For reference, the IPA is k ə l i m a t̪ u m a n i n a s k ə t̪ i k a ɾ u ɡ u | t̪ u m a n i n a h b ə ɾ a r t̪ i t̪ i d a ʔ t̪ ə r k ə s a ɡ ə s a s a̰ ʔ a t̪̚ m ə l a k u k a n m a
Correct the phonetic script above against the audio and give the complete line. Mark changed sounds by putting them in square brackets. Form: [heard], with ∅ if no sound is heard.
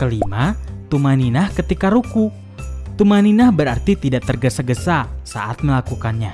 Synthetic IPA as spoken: k ə l i m a t̪ u m a n i n a [h] k ə t̪ i k a ɾ u [k] u | t̪ u m a n i n a h b ə ɾ a r t̪ i t̪ i d a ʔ t̪ ə r [ɡ] ə s a ɡ ə s a s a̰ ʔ a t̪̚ m ə l a k u k a n [ɲ] a

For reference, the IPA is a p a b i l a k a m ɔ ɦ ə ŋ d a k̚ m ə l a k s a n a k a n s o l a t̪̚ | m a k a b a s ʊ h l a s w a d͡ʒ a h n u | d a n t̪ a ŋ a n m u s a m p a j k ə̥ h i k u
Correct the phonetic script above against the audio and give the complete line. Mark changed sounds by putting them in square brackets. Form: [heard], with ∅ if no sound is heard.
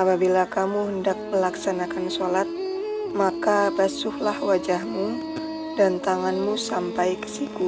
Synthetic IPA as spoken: a p a b i l a k a m [u] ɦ ə [n] d a k̚ m ə l a k s a n a k a n s o l a t̪̚ | m a k a b a s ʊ h l a [h] w a d͡ʒ a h [m] u | d a n t̪ a ŋ a n m u s a m p a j k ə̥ [s] i k u

